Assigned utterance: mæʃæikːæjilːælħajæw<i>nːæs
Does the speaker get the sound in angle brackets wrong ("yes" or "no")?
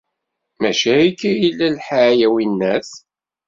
no